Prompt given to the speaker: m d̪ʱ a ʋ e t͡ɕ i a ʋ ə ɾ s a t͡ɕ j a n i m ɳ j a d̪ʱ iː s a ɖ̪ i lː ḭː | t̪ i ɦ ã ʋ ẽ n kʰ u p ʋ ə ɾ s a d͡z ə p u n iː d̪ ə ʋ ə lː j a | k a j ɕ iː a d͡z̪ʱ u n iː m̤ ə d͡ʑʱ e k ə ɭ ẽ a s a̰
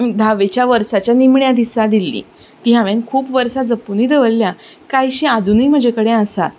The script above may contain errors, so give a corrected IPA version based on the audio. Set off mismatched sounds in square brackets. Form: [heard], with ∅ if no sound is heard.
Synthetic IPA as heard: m d̪ʱ a ʋ e t͡ɕ [j] a ʋ ə ɾ s a t͡ɕ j a n i m ɳ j a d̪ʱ [i] s a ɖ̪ i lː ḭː | t̪ i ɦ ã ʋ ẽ n kʰ [uː] p ʋ ə ɾ s a d͡z ə p u n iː d̪ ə ʋ ə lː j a | k a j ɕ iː a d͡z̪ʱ u n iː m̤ ə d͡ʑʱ e k ə [ɽ] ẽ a s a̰